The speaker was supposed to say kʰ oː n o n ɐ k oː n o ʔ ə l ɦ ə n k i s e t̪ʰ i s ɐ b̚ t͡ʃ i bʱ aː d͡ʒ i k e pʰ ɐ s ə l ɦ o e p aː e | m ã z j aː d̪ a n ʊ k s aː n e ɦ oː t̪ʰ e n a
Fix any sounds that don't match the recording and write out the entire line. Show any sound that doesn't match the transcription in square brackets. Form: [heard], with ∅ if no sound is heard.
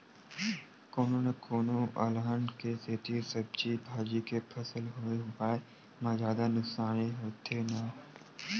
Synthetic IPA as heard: [k] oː n o n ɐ k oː n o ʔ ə l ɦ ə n k [e] s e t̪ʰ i s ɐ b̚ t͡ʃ i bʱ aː d͡ʒ i k e pʰ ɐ s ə l ɦ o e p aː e | m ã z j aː d̪ a n ʊ k s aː n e ɦ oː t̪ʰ e n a